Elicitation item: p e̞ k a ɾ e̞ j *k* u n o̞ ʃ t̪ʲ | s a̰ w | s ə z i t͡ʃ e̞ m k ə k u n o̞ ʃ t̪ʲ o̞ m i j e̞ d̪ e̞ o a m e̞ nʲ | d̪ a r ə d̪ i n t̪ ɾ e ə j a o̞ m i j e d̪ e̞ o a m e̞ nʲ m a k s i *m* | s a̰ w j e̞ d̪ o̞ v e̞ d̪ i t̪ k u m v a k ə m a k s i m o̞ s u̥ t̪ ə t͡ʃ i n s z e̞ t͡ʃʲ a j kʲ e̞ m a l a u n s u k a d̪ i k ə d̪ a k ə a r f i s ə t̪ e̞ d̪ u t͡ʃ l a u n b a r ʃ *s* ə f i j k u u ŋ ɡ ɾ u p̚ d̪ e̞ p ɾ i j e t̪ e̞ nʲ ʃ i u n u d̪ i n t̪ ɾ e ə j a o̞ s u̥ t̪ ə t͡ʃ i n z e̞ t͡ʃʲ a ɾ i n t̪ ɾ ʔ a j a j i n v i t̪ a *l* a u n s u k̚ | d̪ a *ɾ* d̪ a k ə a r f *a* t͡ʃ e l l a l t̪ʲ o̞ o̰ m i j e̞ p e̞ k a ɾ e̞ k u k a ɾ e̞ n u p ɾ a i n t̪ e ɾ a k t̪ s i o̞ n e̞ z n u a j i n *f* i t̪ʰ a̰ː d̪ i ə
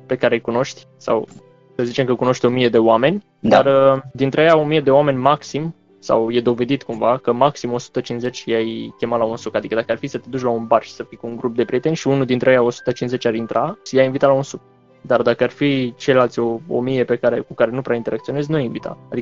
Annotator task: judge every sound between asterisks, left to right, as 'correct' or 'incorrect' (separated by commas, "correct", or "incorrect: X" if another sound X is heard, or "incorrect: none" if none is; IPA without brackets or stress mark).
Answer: correct, correct, correct, correct, incorrect: r, incorrect: i, incorrect: v